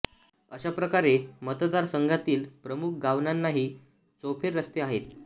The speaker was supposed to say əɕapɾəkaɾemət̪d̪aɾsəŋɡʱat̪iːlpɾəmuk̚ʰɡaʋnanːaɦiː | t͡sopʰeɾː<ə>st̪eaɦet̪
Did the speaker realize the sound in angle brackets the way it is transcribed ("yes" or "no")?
yes